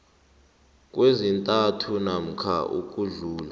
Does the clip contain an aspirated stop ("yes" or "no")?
yes